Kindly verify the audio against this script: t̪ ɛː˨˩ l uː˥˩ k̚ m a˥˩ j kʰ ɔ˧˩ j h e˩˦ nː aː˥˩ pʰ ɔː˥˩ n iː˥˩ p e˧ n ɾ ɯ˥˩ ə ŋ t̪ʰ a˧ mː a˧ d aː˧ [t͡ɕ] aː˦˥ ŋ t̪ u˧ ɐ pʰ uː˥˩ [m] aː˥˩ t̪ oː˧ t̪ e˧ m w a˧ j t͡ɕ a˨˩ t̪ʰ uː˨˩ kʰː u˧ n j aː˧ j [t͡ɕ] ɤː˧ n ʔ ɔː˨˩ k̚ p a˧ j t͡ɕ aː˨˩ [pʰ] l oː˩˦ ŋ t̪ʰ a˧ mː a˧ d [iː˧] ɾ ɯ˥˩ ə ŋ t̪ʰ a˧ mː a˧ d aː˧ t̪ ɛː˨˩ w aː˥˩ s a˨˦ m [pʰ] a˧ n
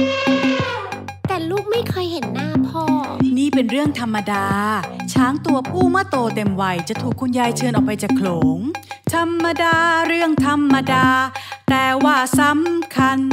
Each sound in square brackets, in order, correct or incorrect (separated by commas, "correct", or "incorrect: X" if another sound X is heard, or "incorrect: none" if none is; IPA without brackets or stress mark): incorrect: t͡ɕʰ, correct, incorrect: t͡ɕʰ, incorrect: kʰ, incorrect: aː˧, incorrect: kʰ